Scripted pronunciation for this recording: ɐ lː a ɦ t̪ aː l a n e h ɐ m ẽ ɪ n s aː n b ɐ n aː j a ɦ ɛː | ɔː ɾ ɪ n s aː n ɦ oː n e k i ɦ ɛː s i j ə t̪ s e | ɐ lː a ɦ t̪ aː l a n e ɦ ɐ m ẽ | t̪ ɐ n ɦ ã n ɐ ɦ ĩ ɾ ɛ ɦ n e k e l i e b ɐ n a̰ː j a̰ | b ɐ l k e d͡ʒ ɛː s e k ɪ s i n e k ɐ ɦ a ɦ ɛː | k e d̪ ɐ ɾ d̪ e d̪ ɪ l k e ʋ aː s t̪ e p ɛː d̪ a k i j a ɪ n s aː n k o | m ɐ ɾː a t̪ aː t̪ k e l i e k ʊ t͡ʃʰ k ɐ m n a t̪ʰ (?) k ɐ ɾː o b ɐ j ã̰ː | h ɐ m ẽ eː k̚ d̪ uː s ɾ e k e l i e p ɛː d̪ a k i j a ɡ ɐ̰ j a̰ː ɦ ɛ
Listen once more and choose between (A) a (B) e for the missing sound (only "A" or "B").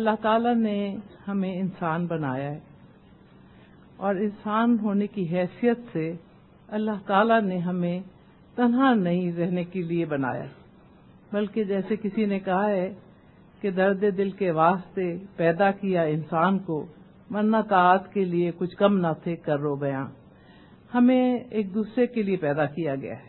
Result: B